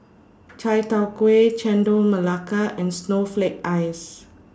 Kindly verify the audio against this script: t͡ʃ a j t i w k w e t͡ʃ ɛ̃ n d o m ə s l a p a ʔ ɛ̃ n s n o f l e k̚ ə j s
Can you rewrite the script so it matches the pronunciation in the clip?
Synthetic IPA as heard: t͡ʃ a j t a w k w e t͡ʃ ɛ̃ n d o m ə l a k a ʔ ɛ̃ n s n o f l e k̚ a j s